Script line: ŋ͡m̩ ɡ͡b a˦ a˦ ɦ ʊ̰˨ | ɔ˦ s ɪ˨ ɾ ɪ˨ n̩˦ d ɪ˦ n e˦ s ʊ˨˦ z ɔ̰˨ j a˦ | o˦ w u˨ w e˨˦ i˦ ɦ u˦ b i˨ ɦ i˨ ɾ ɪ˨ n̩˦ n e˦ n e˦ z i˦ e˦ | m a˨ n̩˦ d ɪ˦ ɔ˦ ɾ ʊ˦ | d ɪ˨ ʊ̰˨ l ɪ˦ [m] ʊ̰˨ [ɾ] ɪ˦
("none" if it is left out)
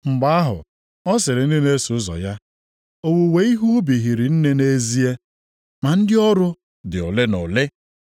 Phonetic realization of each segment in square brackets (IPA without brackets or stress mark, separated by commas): n, l